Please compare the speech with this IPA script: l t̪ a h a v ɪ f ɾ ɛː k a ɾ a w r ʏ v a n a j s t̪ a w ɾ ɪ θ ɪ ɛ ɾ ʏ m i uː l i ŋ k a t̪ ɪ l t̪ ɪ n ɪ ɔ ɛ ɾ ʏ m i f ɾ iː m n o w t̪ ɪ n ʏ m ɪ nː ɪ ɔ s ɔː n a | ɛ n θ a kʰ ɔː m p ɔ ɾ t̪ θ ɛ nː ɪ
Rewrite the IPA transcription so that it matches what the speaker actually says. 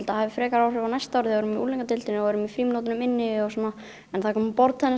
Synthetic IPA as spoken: l t̪ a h a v ɪ f ɾ ɛː k a ɾ a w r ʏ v a n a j s t̪ a w ɾ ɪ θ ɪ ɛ ɾ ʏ m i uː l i ŋ k a t̪ ɪ l t̪ ɪ n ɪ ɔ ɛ ɾ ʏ m i f ɾ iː m n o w t̪ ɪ n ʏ m ɪ nː ɪ ɔ s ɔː n a | ɛ n θ a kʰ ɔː m p ɔ ɾ t̪ θ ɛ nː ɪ